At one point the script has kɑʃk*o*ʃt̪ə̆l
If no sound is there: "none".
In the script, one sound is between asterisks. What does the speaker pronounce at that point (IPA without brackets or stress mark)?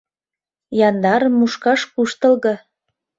u